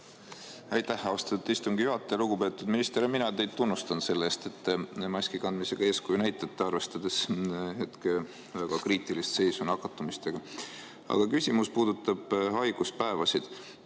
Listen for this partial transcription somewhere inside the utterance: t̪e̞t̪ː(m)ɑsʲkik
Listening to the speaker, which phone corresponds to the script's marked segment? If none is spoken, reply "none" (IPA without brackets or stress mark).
m